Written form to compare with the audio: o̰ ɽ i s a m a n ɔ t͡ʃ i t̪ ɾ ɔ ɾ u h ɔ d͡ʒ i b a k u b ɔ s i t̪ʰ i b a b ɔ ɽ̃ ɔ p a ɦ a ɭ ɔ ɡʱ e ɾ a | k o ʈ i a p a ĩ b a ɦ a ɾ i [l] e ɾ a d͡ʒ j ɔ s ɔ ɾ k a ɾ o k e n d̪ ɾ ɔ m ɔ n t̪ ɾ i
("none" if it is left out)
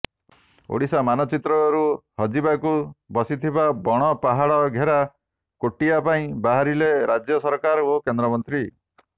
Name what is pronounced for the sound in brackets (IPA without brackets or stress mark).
l